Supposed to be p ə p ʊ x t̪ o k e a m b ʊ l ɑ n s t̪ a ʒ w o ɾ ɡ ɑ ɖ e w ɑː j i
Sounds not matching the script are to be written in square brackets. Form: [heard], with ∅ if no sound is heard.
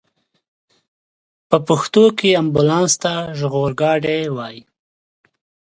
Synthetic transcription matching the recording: p ə p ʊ x t̪ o k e a m b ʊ l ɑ n s t̪ a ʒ [ɣ] o ɾ ɡ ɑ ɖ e w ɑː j i